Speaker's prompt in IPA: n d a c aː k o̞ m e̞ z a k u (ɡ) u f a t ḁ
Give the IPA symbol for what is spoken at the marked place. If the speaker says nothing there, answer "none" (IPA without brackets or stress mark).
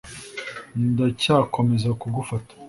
ɡ